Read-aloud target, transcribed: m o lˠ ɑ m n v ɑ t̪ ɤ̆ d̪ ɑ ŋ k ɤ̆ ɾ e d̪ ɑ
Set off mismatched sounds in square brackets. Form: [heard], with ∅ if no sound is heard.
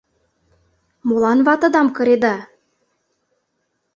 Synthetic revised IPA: m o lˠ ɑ [∅] n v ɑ t̪ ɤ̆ d̪ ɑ [m] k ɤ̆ ɾ e d̪ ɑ